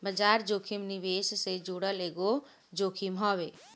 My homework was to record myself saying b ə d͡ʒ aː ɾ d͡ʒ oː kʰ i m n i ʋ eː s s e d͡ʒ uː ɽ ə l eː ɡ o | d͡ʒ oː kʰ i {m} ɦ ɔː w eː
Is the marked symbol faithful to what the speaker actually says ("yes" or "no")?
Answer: yes